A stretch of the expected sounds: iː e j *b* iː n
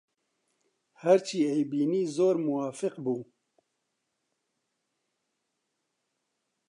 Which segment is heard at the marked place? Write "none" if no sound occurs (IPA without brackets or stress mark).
b